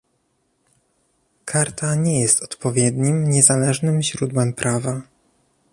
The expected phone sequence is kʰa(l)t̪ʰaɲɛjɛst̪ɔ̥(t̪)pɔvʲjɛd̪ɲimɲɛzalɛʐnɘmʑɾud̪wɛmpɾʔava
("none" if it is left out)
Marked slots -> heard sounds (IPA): ɾ, t̪

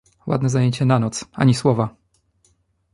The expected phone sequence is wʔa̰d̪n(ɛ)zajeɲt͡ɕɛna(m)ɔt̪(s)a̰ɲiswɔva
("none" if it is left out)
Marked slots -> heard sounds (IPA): ɛ, n, s

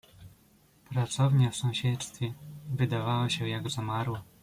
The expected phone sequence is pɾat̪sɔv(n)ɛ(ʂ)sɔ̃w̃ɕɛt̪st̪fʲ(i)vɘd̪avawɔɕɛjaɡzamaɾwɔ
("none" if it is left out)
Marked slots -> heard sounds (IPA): ɲ, f, ɛ

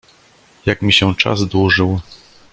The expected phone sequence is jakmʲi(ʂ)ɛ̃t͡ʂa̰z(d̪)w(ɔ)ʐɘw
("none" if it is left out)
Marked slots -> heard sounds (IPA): ɕ, d̪, u

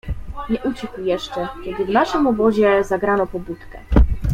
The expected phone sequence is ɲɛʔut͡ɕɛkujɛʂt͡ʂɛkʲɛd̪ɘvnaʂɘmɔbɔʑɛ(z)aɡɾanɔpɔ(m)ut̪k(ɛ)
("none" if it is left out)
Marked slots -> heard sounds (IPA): z, b, ɛ

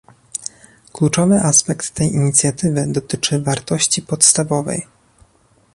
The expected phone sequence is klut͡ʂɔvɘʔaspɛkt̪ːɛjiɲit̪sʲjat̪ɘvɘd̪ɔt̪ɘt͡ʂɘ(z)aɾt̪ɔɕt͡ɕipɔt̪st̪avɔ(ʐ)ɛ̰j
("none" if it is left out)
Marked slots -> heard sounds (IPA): v, v

